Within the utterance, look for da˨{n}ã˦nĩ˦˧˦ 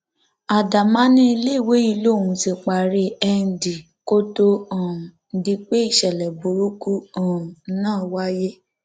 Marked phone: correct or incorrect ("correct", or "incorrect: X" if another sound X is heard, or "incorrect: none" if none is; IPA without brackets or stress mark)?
incorrect: m